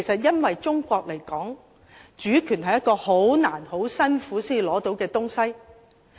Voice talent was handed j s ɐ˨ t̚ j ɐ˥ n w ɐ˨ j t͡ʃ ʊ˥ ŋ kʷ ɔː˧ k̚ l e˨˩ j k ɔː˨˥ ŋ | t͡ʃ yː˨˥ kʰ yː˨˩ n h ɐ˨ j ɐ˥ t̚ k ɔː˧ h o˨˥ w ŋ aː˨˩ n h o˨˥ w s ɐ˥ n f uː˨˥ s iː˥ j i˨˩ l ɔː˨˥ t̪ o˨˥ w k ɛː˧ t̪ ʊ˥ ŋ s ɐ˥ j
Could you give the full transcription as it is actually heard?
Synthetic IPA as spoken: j s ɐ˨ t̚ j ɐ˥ n w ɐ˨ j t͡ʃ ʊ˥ ŋ kʷ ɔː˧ k̚ l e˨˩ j k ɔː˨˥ ŋ | t͡ʃ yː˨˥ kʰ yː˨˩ n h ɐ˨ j ɐ˥ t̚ k ɔː˧ h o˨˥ w n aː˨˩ n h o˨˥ w s ɐ˥ n f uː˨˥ s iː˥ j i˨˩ l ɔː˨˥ t̪ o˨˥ w k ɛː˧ t̪ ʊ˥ ŋ s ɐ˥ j